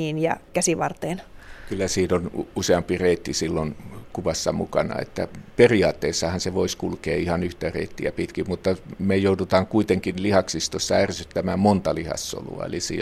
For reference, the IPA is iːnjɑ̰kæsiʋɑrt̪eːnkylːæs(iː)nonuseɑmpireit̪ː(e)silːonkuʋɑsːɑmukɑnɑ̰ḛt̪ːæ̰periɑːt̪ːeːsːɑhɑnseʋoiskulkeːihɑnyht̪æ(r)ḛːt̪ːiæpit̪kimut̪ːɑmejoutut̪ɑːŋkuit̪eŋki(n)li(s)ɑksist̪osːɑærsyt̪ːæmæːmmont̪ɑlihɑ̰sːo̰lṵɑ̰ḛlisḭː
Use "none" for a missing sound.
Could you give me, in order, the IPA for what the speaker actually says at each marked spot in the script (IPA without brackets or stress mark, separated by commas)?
iː, i, r, n, h